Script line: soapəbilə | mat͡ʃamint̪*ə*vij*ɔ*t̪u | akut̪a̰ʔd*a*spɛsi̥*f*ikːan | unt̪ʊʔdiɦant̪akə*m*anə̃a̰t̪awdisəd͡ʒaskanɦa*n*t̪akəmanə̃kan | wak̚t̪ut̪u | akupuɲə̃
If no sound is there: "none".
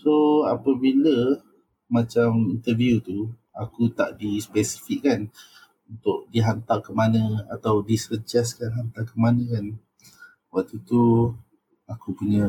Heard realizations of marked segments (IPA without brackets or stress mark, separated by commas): ə, u, i, f, m, n